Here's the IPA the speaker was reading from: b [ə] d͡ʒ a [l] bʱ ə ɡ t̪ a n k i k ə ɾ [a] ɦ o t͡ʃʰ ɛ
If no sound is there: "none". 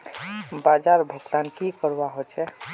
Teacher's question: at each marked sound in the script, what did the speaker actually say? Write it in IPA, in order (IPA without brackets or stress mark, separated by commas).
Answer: a, ɾ, a